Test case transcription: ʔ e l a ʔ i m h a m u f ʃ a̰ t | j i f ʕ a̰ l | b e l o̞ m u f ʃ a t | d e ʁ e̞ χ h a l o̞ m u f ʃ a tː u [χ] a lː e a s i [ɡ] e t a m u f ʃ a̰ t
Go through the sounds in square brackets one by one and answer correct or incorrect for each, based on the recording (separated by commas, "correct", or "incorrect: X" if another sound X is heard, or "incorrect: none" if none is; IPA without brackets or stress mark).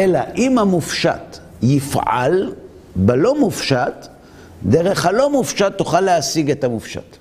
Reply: correct, correct